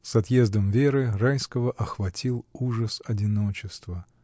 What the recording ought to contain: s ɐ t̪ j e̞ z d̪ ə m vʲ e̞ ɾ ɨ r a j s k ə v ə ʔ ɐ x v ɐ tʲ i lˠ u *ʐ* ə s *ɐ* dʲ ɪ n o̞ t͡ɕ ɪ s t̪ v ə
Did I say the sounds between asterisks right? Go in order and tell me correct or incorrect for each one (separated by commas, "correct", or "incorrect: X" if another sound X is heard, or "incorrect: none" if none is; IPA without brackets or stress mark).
correct, correct